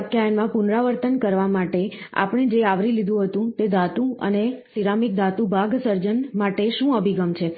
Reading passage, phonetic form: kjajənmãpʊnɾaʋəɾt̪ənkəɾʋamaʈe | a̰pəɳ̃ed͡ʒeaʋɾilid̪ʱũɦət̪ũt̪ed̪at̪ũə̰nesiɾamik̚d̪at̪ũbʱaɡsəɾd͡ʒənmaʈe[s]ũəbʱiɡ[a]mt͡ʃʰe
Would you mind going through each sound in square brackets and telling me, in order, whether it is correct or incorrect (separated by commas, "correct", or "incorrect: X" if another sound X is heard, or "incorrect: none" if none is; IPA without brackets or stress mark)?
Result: incorrect: ʃ, incorrect: ə